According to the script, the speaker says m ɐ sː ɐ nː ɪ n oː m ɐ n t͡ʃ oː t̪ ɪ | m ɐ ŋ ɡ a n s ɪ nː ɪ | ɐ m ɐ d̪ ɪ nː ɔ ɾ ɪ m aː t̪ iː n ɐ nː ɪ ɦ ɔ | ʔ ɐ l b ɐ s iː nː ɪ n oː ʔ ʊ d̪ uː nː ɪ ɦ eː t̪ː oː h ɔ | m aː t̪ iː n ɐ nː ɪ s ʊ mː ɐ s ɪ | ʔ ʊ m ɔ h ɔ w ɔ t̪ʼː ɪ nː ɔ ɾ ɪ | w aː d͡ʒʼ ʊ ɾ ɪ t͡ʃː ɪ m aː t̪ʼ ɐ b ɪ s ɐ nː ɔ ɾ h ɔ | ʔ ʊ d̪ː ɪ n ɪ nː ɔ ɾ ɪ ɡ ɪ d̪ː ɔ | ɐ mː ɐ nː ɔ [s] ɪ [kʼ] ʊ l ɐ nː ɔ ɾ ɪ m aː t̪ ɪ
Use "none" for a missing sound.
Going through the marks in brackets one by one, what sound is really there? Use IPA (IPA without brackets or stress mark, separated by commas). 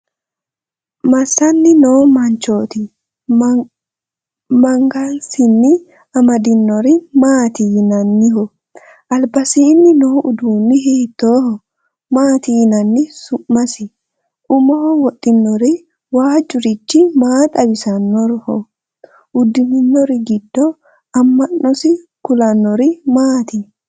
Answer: s, k